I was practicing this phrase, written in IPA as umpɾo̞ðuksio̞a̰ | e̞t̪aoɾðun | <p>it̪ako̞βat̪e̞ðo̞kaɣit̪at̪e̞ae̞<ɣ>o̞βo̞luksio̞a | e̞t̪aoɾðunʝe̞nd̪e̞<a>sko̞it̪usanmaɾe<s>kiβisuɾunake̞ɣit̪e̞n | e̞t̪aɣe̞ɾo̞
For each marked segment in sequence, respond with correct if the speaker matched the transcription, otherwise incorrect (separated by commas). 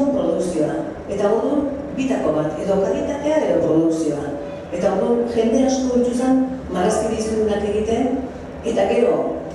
incorrect, incorrect, correct, correct